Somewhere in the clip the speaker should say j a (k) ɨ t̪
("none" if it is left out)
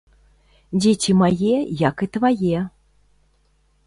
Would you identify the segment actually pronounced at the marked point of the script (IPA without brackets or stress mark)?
k